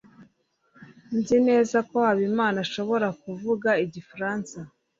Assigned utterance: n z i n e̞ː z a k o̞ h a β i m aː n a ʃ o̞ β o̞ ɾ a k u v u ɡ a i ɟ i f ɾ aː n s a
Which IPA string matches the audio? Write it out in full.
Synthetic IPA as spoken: n z i n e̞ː z a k o̞ h a β i m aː n a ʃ o̞ β o̞ ɾ a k u v u ɡ a i ɟ i f ɾ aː n s a

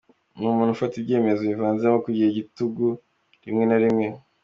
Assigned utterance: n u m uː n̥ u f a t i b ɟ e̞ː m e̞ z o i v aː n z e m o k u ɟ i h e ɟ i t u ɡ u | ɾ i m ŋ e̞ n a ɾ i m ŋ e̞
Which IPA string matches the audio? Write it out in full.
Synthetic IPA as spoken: n u m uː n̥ u f a t i b ɟ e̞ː m e̞ z o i v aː n z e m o k u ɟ i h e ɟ i t u ɡ u | ɾ i m ŋ e̞ n a ɾ i m ŋ e̞

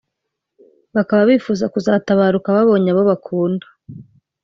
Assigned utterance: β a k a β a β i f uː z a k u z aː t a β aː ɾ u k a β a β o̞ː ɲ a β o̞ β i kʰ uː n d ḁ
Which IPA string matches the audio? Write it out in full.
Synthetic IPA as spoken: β a k a β a β i f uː z a k u z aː t a β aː ɾ u k a β a β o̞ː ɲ a β o̞ β a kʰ uː n d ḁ

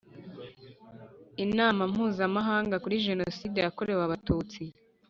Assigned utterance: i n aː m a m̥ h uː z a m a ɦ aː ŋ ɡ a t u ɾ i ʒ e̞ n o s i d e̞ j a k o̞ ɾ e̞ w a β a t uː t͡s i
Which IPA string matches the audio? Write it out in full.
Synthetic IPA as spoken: i n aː m a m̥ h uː z a m a ɦ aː ŋ ɡ a k u ɾ i ʒ e̞ n o s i d e̞ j a k o̞ ɾ e̞ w a β a t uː t͡s i

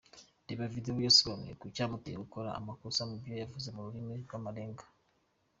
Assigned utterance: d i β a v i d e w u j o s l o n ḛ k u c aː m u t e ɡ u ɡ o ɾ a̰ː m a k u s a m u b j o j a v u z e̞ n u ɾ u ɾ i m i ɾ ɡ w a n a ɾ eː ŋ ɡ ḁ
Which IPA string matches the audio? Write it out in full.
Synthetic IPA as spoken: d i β a v i d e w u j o s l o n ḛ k u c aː m u t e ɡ u k o ɾ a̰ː m a k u s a m u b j o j a v u z e̞ m u ɾ u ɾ i m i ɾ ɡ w a m a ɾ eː ŋ ɡ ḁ

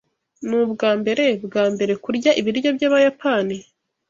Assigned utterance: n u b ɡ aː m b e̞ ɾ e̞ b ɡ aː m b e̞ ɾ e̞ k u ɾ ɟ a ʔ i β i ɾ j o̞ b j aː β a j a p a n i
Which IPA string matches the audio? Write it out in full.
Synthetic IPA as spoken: n u b ɡ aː m b e̞ ɾ e̞ b ɡ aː m b e̞ ɾ e̞ k u ɾ ɟ a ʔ i β i ɾ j o̞ b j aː β a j a p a n i

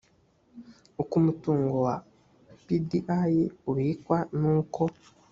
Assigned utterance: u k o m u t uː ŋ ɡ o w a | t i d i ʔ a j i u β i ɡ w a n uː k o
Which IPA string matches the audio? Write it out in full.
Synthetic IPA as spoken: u k u m u t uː ŋ ɡ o w a | p i d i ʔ a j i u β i k w a n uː k o

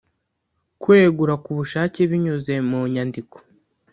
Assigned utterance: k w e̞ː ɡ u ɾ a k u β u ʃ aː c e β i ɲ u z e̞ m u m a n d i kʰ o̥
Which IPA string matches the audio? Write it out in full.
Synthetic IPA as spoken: k w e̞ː ɡ u ɾ a k u β u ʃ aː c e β i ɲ u z e̞ m u ɲ a n d i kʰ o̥

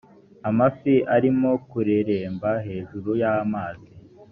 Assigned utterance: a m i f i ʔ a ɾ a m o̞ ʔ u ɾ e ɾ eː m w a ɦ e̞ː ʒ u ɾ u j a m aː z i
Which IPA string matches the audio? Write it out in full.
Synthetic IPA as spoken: a m a f i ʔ a ɾ i m o̞ k u ɾ e ɾ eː m b a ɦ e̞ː ʒ u ɾ u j a m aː z i

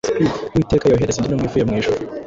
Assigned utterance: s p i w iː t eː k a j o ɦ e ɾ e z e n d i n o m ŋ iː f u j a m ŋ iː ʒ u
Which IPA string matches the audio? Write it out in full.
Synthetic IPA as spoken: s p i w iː t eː k a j o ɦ e ɾ e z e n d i n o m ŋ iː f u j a m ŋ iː ʃ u

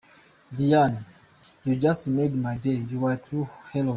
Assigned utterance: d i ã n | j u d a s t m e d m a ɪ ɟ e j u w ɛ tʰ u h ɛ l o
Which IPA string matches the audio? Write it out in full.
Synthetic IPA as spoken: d i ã n | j u d͡ʒ a s t m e d m a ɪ d e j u w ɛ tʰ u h ɛ l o

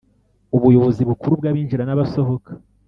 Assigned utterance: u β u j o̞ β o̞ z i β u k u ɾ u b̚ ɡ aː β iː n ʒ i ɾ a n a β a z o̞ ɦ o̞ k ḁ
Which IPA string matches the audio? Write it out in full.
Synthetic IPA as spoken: u β u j o̞ β o̞ z i β u k u ɾ u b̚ ɡ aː β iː n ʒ i ɾ a n a β a s o̞ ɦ o̞ k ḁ

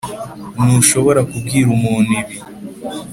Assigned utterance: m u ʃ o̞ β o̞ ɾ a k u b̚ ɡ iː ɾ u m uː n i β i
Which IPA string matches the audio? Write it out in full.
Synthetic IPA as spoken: n u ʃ o̞ β o̞ ɾ a k u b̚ ɡ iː ɾ u m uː n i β i

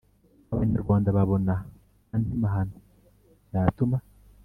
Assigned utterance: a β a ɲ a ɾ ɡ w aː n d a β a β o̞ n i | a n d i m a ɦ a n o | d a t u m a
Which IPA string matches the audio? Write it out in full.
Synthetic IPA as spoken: a β a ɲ a ɾ ɡ w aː n d a β a β o̞ n a | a n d i m a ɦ a n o | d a t u m a

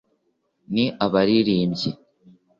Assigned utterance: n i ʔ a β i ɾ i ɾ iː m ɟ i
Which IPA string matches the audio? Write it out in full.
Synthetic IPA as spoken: n i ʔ a β a ɾ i ɾ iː m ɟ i

